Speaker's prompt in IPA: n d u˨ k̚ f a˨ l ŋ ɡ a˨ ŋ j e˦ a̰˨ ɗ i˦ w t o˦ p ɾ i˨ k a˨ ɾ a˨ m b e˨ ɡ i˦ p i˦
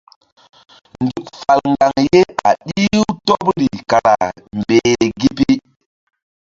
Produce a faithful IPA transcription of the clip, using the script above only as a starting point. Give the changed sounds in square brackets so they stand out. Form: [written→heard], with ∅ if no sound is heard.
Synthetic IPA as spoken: n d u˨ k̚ f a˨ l ŋ ɡ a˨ ŋ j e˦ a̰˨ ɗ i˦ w t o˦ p ɾ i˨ k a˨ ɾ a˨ m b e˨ ɡ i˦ p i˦